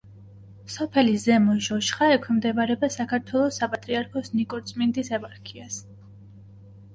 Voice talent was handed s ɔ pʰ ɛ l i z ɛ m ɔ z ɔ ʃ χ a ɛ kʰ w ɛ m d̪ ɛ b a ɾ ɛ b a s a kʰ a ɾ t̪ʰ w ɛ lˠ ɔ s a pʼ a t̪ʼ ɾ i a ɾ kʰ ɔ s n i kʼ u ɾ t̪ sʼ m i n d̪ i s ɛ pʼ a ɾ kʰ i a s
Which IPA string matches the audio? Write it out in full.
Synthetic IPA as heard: s ɔ pʰ ɛ l i z ɛ m ɔ ʒ ɔ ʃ χ a ɛ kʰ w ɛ m d̪ ɛ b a ɾ ɛ b a s a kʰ a ɾ t̪ʰ w ɛ lˠ ɔ s a pʼ a t̪ʼ ɾ i a ɾ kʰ ɔ s n i kʼ ɔ ɾ t̪ sʼ m i n d̪ i s ɛ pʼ a ɾ kʰ i a s